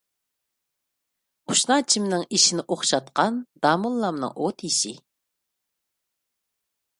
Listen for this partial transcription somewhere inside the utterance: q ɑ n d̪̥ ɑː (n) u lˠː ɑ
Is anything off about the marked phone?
yes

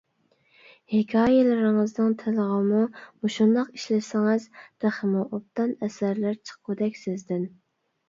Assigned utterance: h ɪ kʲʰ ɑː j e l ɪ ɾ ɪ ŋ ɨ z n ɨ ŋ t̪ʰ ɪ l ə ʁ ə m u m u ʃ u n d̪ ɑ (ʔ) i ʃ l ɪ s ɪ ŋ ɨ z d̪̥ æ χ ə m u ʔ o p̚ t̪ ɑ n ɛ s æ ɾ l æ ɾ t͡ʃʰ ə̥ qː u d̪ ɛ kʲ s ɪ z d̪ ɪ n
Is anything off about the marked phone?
yes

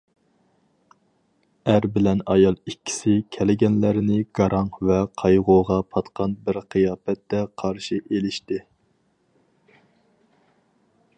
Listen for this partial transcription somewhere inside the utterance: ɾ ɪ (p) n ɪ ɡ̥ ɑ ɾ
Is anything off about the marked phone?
yes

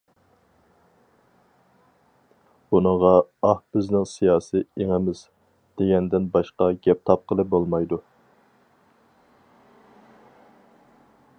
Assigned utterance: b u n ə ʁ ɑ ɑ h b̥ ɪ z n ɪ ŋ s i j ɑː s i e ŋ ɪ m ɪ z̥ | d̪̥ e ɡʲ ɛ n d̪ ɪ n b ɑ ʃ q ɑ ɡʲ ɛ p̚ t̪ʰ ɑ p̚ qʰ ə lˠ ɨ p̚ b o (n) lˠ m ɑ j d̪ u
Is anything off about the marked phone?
yes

